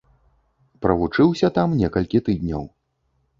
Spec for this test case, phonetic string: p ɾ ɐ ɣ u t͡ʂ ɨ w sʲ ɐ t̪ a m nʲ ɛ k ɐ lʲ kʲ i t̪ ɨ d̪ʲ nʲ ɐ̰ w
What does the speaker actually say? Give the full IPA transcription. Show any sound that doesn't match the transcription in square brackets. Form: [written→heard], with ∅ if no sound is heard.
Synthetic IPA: p ɾ ɐ [ɣ→v] u t͡ʂ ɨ w sʲ ɐ t̪ a m nʲ ɛ k ɐ lʲ kʲ i t̪ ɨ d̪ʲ nʲ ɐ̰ w